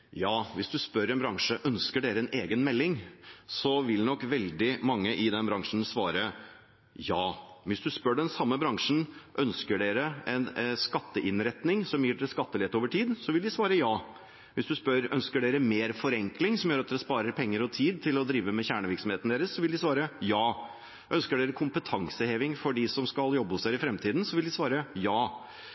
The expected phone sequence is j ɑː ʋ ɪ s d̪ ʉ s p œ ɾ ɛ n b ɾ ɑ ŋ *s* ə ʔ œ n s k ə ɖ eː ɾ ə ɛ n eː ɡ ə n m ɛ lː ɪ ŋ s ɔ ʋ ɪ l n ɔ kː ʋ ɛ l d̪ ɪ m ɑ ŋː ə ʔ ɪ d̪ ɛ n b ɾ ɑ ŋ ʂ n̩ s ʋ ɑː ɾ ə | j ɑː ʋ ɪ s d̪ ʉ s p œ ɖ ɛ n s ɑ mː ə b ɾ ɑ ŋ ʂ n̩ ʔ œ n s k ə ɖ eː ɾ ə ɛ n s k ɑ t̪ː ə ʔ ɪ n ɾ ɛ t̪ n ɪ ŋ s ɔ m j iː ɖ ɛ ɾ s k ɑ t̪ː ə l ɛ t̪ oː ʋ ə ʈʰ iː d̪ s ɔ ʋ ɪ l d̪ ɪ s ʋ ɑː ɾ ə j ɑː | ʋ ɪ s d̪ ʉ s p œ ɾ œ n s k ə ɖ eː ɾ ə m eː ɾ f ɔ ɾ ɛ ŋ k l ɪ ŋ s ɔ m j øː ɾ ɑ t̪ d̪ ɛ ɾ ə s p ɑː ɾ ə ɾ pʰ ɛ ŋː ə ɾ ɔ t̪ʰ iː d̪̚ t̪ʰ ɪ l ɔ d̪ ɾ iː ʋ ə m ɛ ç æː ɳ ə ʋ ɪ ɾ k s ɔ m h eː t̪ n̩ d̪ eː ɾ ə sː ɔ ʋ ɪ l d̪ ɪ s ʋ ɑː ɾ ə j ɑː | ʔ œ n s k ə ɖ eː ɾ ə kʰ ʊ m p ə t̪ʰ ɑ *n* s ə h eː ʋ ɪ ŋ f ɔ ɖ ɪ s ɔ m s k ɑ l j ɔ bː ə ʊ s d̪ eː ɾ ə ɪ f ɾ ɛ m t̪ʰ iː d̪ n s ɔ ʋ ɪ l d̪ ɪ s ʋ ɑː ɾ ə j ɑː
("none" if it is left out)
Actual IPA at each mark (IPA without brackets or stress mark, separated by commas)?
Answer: ʂ, ŋ